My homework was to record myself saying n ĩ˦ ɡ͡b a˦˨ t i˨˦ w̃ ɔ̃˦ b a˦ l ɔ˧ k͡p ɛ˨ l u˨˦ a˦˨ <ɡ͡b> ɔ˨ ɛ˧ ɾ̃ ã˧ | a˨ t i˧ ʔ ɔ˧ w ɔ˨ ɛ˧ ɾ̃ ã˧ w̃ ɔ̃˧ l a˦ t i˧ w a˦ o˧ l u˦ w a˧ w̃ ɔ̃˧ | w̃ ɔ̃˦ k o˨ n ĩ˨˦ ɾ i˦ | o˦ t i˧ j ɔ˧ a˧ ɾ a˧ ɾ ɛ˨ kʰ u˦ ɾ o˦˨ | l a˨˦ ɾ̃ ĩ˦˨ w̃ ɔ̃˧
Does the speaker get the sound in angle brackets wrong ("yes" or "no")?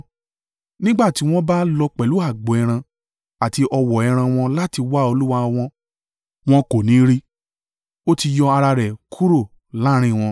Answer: no